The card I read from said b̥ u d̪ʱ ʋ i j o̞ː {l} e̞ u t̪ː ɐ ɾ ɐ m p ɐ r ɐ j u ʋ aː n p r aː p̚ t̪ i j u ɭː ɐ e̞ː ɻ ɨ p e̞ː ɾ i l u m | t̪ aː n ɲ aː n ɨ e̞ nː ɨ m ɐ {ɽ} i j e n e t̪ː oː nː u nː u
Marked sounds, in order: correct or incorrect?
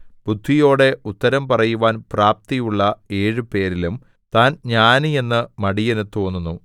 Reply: incorrect: ɽ, correct

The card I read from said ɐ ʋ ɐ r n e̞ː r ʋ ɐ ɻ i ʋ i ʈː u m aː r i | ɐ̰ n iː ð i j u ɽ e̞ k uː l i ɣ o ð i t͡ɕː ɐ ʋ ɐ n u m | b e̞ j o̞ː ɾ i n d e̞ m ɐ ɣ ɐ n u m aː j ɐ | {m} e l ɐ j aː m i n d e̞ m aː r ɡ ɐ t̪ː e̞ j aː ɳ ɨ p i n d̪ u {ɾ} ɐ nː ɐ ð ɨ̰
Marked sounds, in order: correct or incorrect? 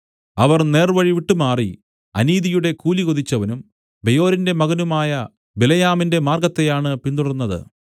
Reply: incorrect: b, incorrect: ɽ

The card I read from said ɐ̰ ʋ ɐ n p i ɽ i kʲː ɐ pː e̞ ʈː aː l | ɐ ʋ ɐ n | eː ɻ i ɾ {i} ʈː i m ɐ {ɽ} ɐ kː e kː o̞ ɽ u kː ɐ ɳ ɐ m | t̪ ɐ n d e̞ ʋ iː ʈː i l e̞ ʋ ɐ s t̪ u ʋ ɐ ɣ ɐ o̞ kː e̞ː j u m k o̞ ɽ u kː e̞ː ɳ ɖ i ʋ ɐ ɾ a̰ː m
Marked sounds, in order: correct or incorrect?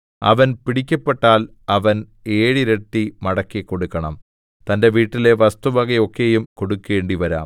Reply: incorrect: e, correct

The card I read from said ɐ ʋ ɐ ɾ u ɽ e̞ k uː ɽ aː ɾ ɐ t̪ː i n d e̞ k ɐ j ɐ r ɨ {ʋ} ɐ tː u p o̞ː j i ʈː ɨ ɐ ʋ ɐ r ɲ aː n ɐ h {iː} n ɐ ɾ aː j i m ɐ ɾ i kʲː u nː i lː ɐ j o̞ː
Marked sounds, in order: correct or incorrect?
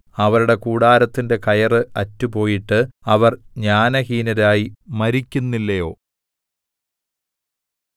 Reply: incorrect: none, correct

